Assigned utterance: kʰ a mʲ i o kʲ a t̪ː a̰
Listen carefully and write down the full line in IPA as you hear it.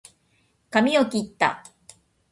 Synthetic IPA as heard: k a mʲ i o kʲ i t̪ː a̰